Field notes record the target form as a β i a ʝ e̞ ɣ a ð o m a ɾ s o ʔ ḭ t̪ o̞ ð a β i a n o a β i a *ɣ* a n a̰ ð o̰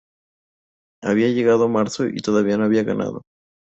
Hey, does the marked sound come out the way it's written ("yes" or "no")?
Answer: yes